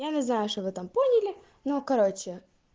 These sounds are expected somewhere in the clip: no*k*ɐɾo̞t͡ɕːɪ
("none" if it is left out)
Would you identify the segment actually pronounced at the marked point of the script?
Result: k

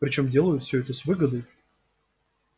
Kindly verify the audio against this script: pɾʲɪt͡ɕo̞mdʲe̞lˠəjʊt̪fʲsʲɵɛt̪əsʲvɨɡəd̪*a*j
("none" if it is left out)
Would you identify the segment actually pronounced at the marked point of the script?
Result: ə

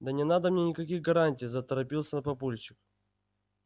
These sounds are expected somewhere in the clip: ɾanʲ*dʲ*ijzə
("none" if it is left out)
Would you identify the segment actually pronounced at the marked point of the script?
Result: tʲ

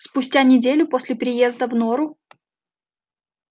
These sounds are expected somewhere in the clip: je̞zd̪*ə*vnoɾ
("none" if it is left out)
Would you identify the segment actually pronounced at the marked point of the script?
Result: ə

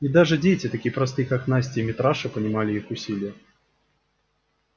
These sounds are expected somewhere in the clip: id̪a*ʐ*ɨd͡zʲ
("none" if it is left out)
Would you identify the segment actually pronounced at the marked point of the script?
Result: ʐ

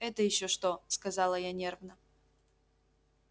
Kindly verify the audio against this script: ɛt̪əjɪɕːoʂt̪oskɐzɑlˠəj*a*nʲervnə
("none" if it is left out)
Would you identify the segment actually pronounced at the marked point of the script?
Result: a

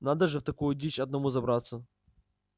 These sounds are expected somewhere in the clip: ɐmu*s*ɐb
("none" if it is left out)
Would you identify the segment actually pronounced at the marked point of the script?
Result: z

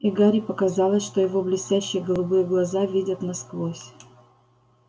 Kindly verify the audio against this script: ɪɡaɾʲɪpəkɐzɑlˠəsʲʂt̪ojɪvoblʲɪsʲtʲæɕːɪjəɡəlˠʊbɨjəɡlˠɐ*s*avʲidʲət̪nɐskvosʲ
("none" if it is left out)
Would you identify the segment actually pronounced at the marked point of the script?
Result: z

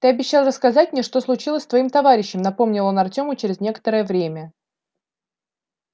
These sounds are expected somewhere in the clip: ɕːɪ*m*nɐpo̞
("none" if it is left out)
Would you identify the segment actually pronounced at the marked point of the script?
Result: m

